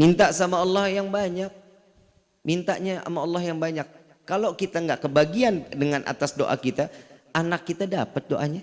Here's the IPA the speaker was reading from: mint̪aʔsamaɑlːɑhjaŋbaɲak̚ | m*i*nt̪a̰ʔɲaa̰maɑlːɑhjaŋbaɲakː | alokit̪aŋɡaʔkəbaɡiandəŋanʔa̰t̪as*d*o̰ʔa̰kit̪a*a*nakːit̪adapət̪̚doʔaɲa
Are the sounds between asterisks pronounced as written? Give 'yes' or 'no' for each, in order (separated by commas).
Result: yes, yes, yes